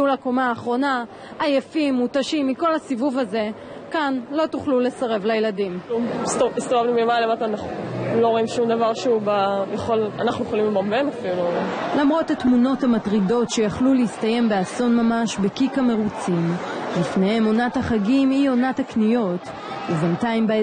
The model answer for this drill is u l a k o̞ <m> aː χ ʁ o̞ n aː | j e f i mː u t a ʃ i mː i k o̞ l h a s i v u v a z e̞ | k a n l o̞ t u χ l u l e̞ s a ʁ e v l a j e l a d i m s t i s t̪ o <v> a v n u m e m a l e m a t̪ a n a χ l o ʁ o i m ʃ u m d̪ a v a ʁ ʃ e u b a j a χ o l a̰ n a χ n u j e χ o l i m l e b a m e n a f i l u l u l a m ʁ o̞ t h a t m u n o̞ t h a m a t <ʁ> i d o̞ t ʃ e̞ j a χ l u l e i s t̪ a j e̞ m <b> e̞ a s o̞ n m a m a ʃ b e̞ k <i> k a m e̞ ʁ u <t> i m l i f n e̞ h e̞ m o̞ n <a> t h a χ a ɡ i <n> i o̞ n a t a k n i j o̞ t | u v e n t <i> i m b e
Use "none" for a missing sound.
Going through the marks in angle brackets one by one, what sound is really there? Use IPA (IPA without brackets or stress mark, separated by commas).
m, v, ʁ, b, i, t͡s, a, m, a